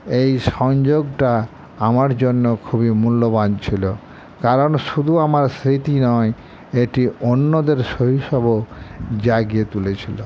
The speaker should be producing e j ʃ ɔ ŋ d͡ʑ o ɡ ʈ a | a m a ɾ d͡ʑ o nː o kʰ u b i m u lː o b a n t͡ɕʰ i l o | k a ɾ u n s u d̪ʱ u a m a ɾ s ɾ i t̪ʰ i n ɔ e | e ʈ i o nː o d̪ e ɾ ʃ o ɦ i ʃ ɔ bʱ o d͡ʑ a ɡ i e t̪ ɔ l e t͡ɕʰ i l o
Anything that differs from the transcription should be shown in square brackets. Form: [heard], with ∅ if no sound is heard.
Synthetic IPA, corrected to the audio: e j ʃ ɔ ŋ d͡ʑ o ɡ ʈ a | a m a ɾ d͡ʑ o nː o kʰ u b i m u lː o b a n t͡ɕʰ i l o | k a ɾ [o] n [ʃ] u d̪ʱ u a m a ɾ s ɾ i [t̪] i n ɔ e | e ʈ i o nː o d̪ e ɾ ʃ o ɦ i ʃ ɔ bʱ o d͡ʑ a ɡ i e t̪ [u] l e t͡ɕʰ i l o